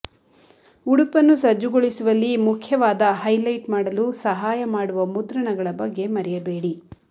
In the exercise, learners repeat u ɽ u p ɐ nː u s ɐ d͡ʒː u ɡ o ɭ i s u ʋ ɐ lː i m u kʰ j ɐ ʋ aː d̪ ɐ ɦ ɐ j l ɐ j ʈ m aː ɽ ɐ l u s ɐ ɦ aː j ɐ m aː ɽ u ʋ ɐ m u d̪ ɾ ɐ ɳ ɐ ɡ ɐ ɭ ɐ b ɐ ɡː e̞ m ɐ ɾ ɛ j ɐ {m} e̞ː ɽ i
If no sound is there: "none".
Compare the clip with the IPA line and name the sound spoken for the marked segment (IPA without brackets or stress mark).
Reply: b